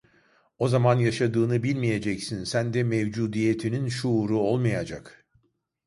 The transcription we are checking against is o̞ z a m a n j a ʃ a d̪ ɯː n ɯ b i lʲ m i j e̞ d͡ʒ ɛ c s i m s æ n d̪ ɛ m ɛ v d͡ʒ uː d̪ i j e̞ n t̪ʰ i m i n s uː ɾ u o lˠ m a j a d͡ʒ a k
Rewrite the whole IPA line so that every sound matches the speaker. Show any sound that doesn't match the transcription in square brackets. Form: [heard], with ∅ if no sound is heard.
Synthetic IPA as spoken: o̞ z a m a n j a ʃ a d̪ ɯː n ɯ b i lʲ m i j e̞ d͡ʒ ɛ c s i [n] s æ n d̪ ɛ m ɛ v d͡ʒ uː d̪ i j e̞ [∅] t̪ʰ i [n] i n [ʃ] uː ɾ u o lˠ m a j a d͡ʒ a k

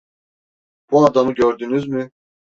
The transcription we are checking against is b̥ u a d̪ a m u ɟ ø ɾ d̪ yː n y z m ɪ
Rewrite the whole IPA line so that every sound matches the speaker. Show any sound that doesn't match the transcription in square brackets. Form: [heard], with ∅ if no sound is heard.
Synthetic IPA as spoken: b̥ u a d̪ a m [ɯ] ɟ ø ɾ d̪ [y] n y z m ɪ

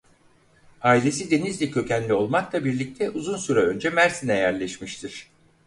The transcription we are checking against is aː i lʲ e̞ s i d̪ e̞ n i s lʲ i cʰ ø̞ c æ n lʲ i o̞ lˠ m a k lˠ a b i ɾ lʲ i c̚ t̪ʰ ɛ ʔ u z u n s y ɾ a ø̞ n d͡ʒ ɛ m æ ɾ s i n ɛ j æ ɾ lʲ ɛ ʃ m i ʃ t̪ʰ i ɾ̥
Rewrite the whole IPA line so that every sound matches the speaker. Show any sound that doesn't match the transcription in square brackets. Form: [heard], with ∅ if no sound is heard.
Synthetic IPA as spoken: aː i lʲ e̞ s i d̪ e̞ n i [z] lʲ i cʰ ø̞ c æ n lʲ i o̞ lˠ m a k lˠ a b i ɾ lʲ i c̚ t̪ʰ ɛ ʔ u z u n s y ɾ a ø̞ n d͡ʒ ɛ m æ ɾ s i n ɛ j æ ɾ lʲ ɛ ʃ m i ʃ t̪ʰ i ɾ̥

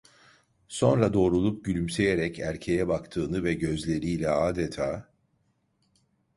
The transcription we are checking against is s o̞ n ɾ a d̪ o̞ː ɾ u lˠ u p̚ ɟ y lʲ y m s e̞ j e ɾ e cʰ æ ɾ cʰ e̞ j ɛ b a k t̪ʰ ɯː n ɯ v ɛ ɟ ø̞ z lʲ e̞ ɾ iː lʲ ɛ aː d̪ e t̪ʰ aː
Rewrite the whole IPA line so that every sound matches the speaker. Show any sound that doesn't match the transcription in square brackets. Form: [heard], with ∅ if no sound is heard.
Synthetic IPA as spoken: s o̞ n ɾ a d̪ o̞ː ɾ u lˠ u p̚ ɟ y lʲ y m s e̞ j e ɾ [ɛ] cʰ æ ɾ cʰ e̞ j ɛ b a k t̪ʰ ɯː n ɯ v ɛ ɟ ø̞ z lʲ e̞ ɾ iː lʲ ɛ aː d̪ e t̪ʰ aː

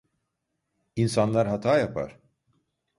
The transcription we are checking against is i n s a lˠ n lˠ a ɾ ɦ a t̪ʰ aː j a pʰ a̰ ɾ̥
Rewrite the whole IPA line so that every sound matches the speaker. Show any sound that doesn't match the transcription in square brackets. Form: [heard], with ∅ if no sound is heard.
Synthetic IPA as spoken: i n s a [∅] n lˠ a ɾ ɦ a t̪ʰ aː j a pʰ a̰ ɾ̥

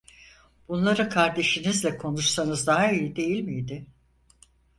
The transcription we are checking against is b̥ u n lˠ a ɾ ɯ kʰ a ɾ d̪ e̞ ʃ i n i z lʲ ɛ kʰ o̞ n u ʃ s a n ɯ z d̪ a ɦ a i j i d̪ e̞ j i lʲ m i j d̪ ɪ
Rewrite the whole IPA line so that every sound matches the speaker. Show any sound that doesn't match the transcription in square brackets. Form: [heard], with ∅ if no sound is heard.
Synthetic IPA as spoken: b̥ u n lˠ a ɾ ɯ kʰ a ɾ d̪ e̞ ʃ i n i z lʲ ɛ kʰ o̞ n u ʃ s a n ɯ z d̪ a ɦ a i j i d̪ e̞ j i lʲ m i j d̪ ɪ

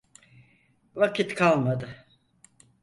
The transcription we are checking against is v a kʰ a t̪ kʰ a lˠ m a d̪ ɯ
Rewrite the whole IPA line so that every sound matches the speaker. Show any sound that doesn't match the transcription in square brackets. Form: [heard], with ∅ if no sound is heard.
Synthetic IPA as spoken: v a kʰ [i] t̪ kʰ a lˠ m a d̪ ɯ

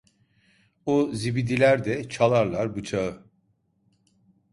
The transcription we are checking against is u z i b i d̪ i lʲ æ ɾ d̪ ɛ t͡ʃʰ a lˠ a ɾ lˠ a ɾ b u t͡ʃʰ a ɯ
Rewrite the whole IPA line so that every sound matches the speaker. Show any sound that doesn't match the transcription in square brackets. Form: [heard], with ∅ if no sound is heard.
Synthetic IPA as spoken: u z i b i d̪ i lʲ æ ɾ d̪ ɛ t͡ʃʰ a lˠ a ɾ lˠ a ɾ b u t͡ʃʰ a ɯ

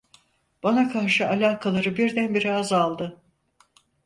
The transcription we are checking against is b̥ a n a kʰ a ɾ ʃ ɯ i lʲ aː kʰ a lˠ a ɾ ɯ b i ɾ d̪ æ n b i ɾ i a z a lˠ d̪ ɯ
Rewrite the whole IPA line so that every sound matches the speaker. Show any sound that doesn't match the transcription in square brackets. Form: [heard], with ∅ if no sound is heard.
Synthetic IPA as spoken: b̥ a n a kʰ a ɾ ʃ ɯ [a] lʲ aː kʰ a lˠ a ɾ ɯ b i ɾ d̪ æ n b i ɾ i a z a lˠ d̪ ɯ

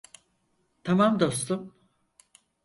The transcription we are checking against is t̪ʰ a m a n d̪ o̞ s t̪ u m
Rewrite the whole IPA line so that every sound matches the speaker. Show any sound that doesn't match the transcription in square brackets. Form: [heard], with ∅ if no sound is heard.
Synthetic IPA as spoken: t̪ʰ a m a [m] d̪ o̞ s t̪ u m

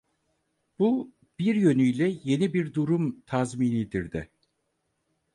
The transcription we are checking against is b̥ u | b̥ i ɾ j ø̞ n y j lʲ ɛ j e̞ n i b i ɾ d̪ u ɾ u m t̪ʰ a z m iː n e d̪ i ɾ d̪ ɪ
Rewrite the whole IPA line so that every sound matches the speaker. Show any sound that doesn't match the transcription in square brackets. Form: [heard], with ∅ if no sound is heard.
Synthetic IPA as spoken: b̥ u | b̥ i ɾ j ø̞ n y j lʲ ɛ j e̞ n i b i ɾ d̪ u ɾ u m t̪ʰ a z m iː n [i] d̪ i ɾ d̪ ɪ

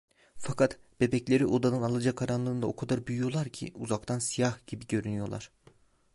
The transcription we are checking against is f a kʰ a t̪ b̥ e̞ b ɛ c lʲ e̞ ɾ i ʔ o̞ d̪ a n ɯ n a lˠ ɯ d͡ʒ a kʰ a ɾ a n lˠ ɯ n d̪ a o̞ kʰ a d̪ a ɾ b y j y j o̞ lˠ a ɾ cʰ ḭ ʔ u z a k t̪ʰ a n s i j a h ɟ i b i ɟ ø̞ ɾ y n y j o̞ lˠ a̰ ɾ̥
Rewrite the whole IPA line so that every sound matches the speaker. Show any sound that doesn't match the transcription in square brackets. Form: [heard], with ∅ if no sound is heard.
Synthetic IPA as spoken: f a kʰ a t̪ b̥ e̞ b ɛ c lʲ e̞ ɾ i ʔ o̞ d̪ a n ɯ n a lˠ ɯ d͡ʒ a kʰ a ɾ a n lˠ ɯ n d̪ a o̞ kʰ a d̪ a ɾ b y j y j o̞ lˠ a ɾ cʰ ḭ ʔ u z a k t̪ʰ a n s i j a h ɟ i b i ɟ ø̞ ɾ y n y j o̞ lˠ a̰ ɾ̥

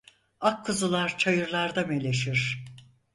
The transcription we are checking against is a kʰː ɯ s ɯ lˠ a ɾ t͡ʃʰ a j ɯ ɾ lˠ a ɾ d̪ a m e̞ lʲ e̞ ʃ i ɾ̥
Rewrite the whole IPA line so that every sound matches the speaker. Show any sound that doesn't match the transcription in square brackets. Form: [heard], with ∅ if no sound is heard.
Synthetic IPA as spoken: a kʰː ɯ [z] ɯ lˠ a ɾ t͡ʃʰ a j ɯ ɾ lˠ a ɾ d̪ a m e̞ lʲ e̞ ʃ i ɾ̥

